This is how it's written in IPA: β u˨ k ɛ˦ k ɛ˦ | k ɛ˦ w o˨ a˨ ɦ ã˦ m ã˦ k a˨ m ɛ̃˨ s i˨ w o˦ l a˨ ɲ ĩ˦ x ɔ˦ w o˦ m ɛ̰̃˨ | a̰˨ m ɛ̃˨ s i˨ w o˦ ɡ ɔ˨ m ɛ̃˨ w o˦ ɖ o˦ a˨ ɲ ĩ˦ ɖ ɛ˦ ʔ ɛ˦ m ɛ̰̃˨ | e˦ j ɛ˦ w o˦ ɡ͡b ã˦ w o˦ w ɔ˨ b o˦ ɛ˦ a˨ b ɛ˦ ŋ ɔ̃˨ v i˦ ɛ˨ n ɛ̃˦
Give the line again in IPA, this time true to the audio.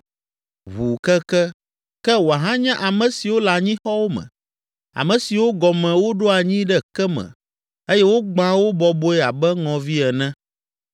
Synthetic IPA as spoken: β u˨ k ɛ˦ k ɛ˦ | k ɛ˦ w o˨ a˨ ɦ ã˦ ɲ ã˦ ʔ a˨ m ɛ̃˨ s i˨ w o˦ l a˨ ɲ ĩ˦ x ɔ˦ w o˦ m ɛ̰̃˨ | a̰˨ m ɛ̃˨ s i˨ w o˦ ɡ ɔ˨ m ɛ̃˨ w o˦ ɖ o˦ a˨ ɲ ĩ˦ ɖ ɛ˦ k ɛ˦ m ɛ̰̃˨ | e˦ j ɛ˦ w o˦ ɡ͡b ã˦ w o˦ b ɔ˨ b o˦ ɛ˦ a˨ b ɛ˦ ŋ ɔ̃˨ v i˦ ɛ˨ n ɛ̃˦

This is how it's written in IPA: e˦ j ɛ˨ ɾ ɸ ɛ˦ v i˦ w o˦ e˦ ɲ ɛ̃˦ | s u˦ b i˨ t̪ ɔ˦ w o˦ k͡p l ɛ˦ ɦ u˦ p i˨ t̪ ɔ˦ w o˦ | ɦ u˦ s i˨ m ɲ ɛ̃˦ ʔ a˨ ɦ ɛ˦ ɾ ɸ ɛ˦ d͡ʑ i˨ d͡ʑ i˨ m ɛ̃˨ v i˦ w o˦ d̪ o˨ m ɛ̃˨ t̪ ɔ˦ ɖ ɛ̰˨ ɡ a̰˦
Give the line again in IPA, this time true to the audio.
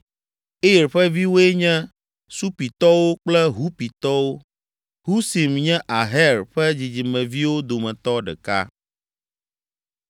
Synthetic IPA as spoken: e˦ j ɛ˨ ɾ ɸ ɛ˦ v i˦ w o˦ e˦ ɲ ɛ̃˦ | s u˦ p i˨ t̪ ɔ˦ w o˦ k͡p l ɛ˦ ɦ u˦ p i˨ t̪ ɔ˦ w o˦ | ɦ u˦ s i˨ m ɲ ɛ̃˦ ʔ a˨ ɦ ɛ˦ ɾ ɸ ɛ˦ d͡ʑ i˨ d͡ʑ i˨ m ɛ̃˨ v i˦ w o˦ d̪ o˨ m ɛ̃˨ t̪ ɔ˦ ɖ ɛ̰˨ k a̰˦

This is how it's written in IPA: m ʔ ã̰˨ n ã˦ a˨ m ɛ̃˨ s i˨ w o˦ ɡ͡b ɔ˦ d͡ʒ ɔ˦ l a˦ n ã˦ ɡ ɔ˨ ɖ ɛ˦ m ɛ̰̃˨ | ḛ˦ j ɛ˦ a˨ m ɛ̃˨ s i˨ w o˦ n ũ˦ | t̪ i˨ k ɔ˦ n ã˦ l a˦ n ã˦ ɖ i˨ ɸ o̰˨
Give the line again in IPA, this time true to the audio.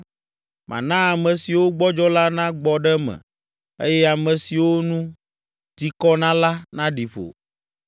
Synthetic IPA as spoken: m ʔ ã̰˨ n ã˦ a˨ m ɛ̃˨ s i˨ w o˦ ɡ͡b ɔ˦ d͡ʒ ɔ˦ l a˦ n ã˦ ɡ͡b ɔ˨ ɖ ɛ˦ m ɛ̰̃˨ | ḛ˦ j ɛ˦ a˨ m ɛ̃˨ s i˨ w o˦ n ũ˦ | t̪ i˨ k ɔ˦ n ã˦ l a˦ n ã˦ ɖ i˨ ɸ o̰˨

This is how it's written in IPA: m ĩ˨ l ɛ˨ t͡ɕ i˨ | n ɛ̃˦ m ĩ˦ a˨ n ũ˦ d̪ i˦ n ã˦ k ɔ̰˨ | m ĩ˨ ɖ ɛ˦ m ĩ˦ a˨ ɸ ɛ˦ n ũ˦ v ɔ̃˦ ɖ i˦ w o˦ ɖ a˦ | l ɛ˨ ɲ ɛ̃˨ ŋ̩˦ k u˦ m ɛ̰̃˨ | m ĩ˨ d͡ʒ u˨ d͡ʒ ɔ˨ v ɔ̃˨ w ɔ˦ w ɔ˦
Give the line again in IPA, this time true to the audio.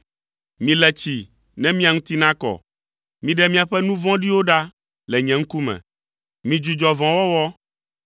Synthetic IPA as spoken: m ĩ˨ l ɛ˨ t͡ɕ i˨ | n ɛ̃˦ m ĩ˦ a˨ ŋ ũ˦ t̪ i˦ n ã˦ k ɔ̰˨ | m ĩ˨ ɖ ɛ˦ m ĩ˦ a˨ ɸ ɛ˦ n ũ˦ v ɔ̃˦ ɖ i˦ w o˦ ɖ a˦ | l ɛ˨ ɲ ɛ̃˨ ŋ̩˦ k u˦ m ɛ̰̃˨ | m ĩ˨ d͡ʒ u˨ d͡ʒ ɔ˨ v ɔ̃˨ w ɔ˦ w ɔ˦

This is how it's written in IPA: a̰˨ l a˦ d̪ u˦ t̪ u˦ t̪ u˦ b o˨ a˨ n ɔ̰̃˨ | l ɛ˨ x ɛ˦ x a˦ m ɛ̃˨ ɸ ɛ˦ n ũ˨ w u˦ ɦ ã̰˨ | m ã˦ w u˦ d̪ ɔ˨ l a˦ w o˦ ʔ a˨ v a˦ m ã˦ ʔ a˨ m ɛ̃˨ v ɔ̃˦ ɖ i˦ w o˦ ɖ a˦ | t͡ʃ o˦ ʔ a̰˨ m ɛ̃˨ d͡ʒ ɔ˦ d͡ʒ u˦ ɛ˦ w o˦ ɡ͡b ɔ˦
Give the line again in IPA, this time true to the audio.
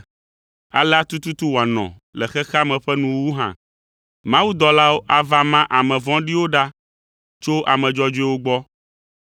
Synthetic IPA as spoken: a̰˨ l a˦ t̪ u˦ t̪ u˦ t̪ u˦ w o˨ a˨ n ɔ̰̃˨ | l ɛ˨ x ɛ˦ x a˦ m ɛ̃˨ ɸ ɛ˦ n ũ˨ w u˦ ɦ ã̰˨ | m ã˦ w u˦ d̪ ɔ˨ l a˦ w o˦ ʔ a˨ v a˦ m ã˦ ʔ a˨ m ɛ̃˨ v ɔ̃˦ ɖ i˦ w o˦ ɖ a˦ | t͡ʃ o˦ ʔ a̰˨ m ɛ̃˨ d͡ʒ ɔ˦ d͡ʒ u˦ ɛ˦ w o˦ ɡ͡b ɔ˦

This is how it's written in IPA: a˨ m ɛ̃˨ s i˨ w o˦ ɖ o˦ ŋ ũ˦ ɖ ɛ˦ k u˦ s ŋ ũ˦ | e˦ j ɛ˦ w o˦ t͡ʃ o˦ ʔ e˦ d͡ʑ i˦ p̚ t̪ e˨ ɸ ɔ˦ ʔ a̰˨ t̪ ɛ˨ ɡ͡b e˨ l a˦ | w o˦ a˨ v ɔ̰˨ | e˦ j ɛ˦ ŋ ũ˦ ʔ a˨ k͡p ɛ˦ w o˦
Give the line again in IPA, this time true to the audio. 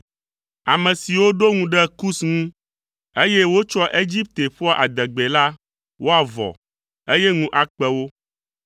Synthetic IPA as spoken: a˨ m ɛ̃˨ s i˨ w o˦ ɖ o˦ ŋ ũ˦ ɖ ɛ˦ k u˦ s ŋ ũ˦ | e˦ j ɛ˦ w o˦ t͡ʃ ɔ˦ ʔ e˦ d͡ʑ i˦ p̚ t̪ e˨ ɸ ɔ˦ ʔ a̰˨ d̪ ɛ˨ ɡ͡b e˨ l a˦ | w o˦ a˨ v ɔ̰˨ | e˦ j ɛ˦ ŋ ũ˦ ʔ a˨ k͡p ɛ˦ w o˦

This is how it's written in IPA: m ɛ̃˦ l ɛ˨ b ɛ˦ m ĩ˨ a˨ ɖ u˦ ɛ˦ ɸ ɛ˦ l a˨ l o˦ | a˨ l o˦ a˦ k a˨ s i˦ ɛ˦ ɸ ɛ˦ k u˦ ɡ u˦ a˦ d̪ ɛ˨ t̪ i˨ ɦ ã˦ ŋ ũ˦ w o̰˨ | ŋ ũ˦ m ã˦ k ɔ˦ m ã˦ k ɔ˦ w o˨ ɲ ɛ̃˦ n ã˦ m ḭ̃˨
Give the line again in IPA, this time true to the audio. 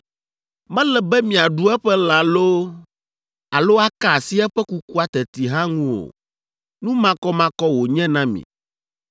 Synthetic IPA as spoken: m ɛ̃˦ l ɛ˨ b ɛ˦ m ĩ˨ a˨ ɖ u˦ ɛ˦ ɸ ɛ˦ l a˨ l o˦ | a˨ l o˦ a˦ k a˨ s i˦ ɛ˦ ɸ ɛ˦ k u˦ k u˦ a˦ t̪ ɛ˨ t̪ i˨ ɦ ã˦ ŋ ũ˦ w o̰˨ | n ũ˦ m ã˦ k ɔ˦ m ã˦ k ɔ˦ w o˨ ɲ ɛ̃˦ n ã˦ m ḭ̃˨

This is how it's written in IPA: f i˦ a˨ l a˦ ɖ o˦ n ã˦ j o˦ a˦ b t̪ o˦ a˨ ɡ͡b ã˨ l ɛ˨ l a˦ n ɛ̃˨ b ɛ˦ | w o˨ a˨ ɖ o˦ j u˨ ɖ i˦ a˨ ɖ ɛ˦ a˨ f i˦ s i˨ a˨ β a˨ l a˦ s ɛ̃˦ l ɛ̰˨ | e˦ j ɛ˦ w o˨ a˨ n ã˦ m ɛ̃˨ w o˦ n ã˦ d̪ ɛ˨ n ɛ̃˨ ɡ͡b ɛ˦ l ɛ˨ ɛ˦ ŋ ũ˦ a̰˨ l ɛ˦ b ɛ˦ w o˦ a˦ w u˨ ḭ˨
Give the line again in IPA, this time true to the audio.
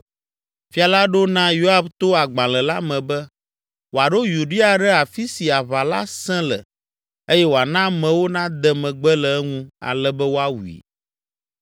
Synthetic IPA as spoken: f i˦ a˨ l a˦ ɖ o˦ n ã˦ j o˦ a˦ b t̪ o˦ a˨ ɡ͡b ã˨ l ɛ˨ l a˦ m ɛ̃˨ b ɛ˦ | w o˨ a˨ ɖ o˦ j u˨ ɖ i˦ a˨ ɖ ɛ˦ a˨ f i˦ s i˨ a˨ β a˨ l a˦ s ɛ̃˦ l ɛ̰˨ | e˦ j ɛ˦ w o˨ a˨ n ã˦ m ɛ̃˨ w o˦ n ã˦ d̪ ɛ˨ m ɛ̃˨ ɡ͡b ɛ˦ l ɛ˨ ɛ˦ ŋ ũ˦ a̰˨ l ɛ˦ b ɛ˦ w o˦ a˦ w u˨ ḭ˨

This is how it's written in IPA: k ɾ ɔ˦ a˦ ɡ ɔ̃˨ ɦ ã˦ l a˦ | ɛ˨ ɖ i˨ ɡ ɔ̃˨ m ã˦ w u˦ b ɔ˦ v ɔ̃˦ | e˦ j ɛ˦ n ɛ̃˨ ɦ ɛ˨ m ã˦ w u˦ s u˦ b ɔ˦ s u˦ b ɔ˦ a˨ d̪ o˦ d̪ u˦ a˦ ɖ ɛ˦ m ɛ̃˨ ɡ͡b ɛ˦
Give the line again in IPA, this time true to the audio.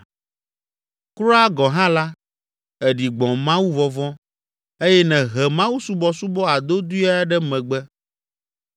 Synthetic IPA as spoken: k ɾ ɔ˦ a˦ ɡ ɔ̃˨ ɦ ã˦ l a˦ | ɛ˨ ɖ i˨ ɡ͡b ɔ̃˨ m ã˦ w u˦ v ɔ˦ v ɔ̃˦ | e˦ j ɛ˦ n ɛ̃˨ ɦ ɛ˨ m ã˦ w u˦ s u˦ b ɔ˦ s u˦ b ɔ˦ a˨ d̪ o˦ d̪ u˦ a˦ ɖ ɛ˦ m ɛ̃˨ ɡ͡b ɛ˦

